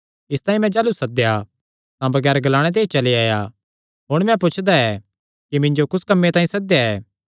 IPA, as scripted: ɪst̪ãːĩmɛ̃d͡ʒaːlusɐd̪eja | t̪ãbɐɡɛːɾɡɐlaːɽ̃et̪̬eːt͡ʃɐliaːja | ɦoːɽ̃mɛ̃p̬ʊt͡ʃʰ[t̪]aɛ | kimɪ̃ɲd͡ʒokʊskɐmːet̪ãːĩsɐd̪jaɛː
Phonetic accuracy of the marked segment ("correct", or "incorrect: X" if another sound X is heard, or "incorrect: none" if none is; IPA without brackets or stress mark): incorrect: d̪